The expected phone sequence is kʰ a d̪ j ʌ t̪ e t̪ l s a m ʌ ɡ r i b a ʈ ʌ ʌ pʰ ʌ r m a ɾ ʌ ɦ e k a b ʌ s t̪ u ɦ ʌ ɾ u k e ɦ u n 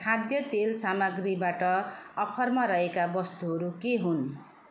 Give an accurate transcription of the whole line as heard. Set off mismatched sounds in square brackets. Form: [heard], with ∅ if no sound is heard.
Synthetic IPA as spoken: kʰ a d̪ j ʌ t̪ e [∅] l s a m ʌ ɡ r i b a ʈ ʌ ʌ pʰ ʌ r m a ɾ ʌ ɦ e k a b ʌ s t̪ u ɦ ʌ ɾ u k e ɦ u n